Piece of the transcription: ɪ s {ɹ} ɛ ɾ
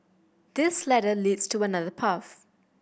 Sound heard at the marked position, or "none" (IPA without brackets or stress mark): l